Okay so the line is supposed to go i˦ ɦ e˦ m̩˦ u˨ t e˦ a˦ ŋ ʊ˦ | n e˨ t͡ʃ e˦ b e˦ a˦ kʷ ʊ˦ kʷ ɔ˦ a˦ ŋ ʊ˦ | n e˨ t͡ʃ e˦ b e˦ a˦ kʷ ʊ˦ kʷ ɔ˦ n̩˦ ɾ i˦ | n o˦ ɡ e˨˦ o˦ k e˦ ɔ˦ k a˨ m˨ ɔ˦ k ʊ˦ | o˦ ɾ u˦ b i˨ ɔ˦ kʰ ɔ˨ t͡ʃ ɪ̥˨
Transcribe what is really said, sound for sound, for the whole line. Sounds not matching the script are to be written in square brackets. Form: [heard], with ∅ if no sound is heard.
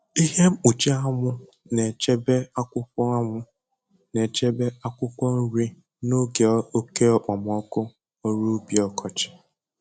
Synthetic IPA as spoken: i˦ ɦ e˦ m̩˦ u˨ [t͡ʃ] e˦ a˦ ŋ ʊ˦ | n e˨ t͡ʃ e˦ b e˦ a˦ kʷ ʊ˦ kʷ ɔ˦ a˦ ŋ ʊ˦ | n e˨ t͡ʃ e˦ b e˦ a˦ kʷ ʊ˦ kʷ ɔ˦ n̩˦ ɾ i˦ | n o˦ ɡ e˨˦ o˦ k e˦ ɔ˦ [k͡p] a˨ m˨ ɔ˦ k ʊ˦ | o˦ ɾ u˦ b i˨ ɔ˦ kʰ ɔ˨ t͡ʃ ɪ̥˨